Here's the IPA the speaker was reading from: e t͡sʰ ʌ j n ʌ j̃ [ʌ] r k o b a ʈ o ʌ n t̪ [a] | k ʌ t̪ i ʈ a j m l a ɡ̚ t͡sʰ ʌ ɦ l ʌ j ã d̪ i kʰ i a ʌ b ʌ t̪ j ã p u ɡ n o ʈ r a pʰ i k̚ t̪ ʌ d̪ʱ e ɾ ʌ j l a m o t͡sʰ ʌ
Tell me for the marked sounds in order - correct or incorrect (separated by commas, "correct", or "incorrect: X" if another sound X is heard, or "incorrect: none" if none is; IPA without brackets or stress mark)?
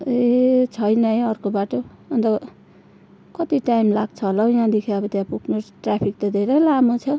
correct, incorrect: ʌ